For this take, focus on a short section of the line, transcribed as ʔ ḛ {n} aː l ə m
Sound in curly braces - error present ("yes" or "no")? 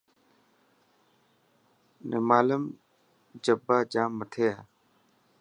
yes